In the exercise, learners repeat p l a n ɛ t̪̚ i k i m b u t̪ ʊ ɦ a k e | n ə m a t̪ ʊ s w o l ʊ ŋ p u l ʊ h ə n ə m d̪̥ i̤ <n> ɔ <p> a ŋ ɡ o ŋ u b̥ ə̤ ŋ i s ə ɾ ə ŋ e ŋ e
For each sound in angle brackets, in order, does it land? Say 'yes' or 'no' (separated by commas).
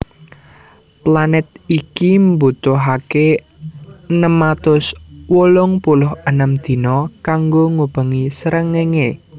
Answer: yes, no